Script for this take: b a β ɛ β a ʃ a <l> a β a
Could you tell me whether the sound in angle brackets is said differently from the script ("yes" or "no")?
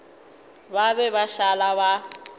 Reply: no